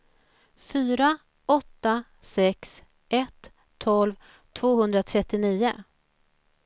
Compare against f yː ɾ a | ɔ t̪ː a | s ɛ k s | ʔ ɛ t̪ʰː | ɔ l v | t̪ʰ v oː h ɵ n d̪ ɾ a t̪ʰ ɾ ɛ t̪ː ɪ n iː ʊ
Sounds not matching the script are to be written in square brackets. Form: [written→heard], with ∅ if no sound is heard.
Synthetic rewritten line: f yː ɾ a | ɔ t̪ː a | s ɛ k s | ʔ ɛ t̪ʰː | ɔ l v | t̪ʰ v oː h ɵ n d̪ ɾ a t̪ʰ ɾ ɛ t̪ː ɪ n iː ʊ

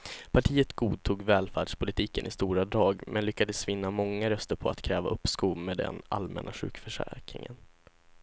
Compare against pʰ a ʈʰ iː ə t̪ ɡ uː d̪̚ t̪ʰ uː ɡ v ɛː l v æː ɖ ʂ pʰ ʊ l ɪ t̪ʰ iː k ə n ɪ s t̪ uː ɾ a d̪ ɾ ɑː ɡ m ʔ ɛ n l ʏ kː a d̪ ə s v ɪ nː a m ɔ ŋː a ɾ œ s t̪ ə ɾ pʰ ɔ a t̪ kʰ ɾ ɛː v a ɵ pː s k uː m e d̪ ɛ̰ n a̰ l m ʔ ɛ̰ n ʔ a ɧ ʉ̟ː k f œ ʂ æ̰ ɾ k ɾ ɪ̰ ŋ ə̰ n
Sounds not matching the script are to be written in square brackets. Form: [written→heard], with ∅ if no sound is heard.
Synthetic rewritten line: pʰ a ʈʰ iː ə t̪ ɡ uː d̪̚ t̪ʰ uː ɡ v ɛː l [v→f] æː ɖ ʂ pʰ ʊ l ɪ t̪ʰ iː k ə n ɪ s t̪ uː ɾ a d̪ ɾ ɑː ɡ m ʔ ɛ n l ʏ kː a d̪ ə s v ɪ nː a m ɔ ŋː a ɾ œ s t̪ ə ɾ pʰ ɔ a t̪ kʰ ɾ ɛː v a ɵ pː s k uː m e d̪ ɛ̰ n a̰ l m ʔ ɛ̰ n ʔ a ɧ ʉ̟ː k f œ ʂ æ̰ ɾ k ɾ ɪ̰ ŋ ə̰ n

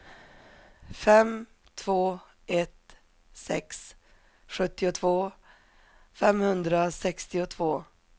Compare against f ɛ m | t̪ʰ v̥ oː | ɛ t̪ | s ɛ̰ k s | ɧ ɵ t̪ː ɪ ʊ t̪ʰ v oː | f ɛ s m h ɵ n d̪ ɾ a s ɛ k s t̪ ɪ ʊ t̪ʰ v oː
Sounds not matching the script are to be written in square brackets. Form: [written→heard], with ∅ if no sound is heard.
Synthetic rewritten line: f ɛ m | t̪ʰ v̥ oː | ɛ t̪ | s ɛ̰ k s | ɧ ɵ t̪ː ɪ ʊ t̪ʰ v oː | f ɛ [s→∅] m h ɵ n d̪ ɾ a s ɛ k s t̪ ɪ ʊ t̪ʰ v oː

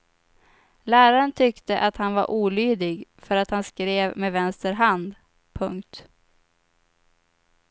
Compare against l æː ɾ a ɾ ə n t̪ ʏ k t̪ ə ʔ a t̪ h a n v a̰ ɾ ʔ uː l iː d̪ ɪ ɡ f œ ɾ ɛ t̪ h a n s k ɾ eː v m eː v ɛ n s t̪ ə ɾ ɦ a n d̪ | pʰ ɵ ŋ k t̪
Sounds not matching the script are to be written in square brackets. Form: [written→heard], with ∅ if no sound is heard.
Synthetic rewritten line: l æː ɾ a ɾ ə n [t̪→t̪ʰ] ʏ k t̪ ə ʔ a t̪ h a n v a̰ ɾ ʔ uː l [iː→yː] d̪ ɪ ɡ f œ ɾ [ɛ→a] t̪ h a n s k ɾ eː v m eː v ɛ n s t̪ ə ɾ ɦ a n d̪ | pʰ ɵ ŋ k t̪

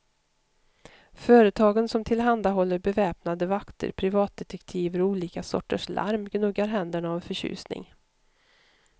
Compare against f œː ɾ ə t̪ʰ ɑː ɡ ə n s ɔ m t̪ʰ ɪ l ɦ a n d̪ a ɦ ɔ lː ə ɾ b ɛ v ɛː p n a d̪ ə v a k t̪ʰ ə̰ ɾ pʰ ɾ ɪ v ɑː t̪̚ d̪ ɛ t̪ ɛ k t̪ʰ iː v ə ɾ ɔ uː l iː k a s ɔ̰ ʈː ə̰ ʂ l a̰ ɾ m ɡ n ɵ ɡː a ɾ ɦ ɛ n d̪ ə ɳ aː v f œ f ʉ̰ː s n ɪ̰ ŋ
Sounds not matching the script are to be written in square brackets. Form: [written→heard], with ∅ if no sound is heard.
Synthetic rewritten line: f œː ɾ ə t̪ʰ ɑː ɡ ə n s ɔ m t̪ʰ ɪ l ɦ a n d̪ a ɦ ɔ lː ə ɾ b ɛ v ɛː p n a d̪ ə v a k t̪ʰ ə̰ ɾ pʰ ɾ ɪ v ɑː t̪̚ d̪ ɛ t̪ ɛ k t̪ʰ iː v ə ɾ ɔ uː l iː k a s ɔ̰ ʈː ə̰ ʂ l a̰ ɾ m ɡ n ɵ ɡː a ɾ ɦ ɛ n d̪ ə ɳ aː v f œ [f→ɕ] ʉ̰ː s n ɪ̰ ŋ

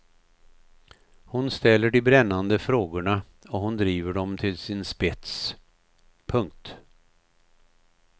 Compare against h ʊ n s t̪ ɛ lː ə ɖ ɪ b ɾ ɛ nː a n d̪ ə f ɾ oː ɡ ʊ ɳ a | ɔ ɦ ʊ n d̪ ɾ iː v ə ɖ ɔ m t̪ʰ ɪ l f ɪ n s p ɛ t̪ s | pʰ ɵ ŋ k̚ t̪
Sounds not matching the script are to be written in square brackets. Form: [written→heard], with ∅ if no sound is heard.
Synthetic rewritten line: h ʊ n s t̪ ɛ lː ə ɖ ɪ b ɾ ɛ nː a n d̪ ə f ɾ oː ɡ ʊ ɳ a | ɔ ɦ ʊ n d̪ ɾ iː v ə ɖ ɔ m t̪ʰ ɪ l [f→s] ɪ n s p ɛ t̪ s | pʰ ɵ ŋ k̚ t̪

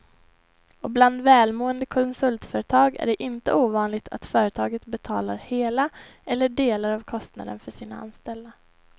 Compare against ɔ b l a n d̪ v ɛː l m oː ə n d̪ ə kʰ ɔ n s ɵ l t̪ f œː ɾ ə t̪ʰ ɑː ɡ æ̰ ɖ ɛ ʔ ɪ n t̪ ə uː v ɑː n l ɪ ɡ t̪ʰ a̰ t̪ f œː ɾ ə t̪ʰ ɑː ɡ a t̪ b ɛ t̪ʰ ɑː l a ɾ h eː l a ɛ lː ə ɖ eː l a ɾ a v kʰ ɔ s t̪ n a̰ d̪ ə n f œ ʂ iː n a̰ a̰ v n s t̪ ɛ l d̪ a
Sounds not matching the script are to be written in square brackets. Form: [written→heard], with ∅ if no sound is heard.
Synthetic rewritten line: ɔ b l a n d̪ v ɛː l m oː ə n d̪ ə kʰ ɔ n s ɵ l t̪ f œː ɾ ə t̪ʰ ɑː ɡ æ̰ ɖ ɛ ʔ ɪ n t̪ ə uː v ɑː n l ɪ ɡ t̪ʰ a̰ t̪ f œː ɾ ə t̪ʰ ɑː ɡ [a→ə] t̪ b ɛ t̪ʰ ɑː l a ɾ h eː l a ɛ lː ə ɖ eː l a ɾ a v kʰ ɔ s t̪ n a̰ d̪ ə n f œ ʂ iː n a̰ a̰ [v→∅] n s t̪ ɛ l d̪ a

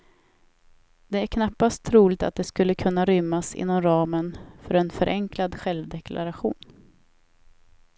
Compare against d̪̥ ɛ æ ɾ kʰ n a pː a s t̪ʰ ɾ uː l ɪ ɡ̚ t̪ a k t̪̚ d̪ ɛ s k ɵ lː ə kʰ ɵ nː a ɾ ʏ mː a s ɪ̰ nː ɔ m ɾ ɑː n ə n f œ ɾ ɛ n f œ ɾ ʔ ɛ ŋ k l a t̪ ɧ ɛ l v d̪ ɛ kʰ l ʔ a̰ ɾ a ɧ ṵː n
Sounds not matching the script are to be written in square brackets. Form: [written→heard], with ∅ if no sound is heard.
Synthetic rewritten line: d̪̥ ɛ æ ɾ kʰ n a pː a s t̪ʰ ɾ uː l ɪ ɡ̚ t̪ a [k→∅] t̪̚ d̪ ɛ s k ɵ lː ə kʰ ɵ nː a ɾ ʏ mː a s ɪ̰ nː ɔ m ɾ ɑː [n→m] ə n f œ ɾ ɛ n f œ ɾ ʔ ɛ ŋ k l a [t̪→d̪] ɧ ɛ l v d̪ ɛ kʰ l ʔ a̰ ɾ a ɧ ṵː n

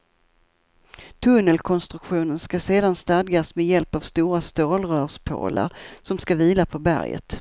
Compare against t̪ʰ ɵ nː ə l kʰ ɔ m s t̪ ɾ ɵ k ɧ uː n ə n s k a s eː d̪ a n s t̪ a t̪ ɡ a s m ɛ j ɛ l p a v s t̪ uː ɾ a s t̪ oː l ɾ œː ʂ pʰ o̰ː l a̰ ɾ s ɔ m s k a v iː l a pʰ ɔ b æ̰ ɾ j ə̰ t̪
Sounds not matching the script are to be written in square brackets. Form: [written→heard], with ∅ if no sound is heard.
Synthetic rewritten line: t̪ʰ ɵ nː ə l kʰ ɔ [m→n] s t̪ ɾ ɵ k ɧ uː n ə n s k a s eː d̪ a n s t̪ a [t̪→d̪] ɡ a s m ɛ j ɛ l p a v s t̪ uː ɾ a s t̪ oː l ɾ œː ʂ pʰ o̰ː l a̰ ɾ s ɔ m s k a v iː l a pʰ ɔ b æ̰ ɾ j ə̰ t̪

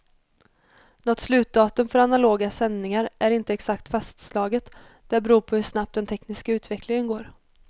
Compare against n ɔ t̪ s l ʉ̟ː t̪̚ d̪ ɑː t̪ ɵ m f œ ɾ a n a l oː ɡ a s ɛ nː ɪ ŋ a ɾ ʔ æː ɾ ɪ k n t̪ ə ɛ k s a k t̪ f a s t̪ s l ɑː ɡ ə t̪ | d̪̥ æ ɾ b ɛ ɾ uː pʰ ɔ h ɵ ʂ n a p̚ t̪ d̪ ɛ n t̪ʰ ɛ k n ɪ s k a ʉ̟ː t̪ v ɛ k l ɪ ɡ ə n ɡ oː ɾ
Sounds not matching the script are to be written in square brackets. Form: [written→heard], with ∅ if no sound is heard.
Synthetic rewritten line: n ɔ t̪ s l ʉ̟ː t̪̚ d̪ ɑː t̪ ɵ m f œ ɾ a n a l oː ɡ a s ɛ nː ɪ ŋ a ɾ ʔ [æː→æ] ɾ ɪ [k→∅] n t̪ ə ɛ k s a k t̪ f a s t̪ s l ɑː ɡ ə t̪ | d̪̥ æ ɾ b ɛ ɾ uː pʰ ɔ h ɵ ʂ n a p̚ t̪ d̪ ɛ n t̪ʰ ɛ k n ɪ s k a ʉ̟ː t̪ v ɛ k l ɪ [ɡ→ŋ] ə n ɡ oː ɾ

